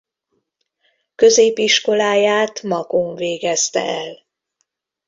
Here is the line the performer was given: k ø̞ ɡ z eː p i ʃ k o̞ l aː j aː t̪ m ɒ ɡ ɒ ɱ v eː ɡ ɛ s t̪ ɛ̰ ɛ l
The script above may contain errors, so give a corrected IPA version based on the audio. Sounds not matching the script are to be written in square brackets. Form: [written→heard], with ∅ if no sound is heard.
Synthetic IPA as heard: k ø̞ [ɡ→∅] z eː p i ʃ k o̞ l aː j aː t̪ m ɒ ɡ [ɒ→o] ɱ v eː ɡ ɛ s t̪ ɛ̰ ɛ l